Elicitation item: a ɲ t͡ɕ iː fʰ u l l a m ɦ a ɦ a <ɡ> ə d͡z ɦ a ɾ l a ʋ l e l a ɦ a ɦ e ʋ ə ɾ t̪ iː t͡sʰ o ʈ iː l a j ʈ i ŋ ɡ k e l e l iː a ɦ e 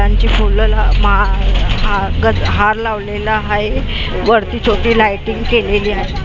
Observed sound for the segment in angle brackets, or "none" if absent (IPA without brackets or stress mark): ɡ